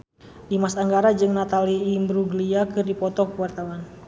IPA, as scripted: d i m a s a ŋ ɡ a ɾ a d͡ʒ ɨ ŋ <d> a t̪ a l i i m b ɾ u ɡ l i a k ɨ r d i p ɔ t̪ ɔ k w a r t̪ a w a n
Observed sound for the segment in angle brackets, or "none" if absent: n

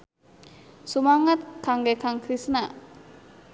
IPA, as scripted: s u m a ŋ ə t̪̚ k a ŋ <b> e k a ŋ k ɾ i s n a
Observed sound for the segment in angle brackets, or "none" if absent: ɡ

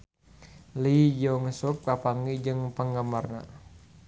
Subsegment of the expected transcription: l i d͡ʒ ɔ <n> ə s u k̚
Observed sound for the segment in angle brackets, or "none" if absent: ŋ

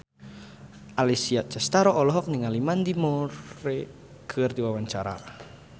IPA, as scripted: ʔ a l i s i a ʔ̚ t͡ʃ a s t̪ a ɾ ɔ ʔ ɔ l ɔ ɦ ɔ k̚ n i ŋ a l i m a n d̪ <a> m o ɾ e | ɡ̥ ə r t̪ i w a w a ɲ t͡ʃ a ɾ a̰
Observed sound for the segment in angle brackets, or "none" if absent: i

